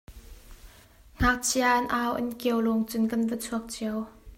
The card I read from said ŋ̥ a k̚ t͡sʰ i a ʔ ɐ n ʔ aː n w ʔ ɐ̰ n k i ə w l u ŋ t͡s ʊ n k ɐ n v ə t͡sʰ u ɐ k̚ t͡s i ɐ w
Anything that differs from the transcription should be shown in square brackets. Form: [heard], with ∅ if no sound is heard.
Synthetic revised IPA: ŋ̥ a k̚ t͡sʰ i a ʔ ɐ n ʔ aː [∅] w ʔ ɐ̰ n k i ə w l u ŋ t͡s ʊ n k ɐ n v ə t͡sʰ u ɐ k̚ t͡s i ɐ w